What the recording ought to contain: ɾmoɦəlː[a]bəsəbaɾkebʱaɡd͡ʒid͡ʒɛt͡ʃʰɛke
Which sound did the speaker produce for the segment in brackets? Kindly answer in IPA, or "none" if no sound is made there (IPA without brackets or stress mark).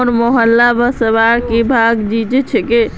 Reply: a